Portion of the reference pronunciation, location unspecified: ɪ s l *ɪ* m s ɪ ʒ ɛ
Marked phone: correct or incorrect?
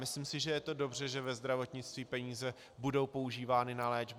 incorrect